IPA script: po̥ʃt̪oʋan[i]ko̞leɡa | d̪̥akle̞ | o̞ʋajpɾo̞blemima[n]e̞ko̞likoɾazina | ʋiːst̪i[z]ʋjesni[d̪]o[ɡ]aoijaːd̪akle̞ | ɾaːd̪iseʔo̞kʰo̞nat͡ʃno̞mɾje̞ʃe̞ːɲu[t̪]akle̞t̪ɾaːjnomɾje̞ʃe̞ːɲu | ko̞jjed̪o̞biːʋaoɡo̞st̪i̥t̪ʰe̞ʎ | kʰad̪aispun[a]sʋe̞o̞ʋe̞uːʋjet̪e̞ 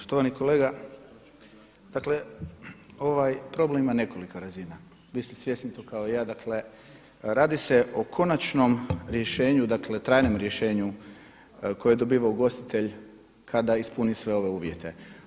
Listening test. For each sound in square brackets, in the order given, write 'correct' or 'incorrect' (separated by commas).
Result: correct, correct, incorrect, incorrect, incorrect, incorrect, incorrect